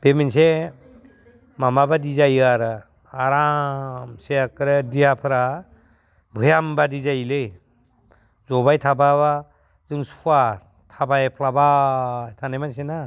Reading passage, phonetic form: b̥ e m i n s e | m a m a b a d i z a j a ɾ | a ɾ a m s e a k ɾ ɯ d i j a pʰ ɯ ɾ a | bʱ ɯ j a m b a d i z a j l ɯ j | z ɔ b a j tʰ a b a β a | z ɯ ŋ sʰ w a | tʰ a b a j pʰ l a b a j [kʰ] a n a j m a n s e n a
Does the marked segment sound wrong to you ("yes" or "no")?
yes